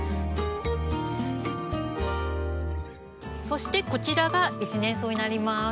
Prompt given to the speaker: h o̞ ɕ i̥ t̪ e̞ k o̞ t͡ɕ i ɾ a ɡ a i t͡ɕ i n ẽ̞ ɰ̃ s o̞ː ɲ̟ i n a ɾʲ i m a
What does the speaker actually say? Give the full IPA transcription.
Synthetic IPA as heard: s o̞ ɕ i̥ t̪ e̞ k o̞ t͡ɕ i ɾ a ɡ a i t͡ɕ i n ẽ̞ ɰ̃ s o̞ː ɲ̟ i n a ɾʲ i m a